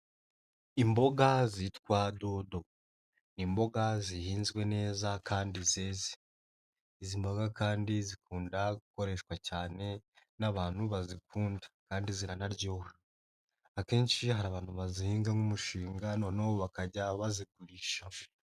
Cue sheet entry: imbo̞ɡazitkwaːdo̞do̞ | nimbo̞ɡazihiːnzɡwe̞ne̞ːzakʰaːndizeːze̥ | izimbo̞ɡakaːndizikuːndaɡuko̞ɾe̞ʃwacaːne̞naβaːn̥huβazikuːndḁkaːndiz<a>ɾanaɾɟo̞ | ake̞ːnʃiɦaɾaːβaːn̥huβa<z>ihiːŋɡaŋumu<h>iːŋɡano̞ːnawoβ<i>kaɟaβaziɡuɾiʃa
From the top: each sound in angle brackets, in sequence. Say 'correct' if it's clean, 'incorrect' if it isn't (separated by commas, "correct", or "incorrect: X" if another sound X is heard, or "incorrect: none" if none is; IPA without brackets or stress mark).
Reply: incorrect: i, correct, incorrect: ʃ, incorrect: a